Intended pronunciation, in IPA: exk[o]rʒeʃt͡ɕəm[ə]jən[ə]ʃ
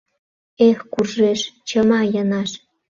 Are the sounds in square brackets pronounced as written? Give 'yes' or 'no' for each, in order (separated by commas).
no, no, no